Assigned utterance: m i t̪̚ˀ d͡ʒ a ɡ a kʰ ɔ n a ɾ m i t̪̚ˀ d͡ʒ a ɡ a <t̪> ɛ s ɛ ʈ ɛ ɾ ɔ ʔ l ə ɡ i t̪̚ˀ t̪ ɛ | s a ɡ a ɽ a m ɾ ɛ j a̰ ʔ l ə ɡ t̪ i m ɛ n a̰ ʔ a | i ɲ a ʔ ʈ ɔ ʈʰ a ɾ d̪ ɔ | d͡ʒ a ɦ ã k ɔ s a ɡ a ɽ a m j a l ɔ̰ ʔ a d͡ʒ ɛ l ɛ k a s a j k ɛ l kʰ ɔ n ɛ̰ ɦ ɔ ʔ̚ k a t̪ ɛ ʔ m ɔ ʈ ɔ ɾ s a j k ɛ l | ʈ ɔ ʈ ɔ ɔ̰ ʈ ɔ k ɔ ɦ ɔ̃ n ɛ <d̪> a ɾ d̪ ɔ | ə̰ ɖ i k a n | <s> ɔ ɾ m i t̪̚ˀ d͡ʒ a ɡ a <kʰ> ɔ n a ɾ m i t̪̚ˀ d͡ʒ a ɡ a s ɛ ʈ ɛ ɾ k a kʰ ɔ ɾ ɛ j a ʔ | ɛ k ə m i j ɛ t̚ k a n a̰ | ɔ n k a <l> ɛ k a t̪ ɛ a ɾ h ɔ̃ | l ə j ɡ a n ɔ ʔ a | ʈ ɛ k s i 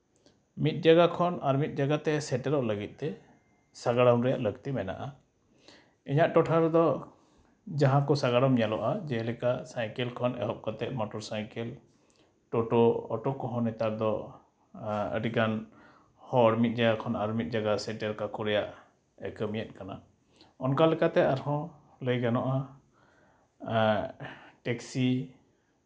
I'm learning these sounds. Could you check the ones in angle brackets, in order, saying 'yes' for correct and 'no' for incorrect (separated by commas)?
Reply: yes, no, no, yes, yes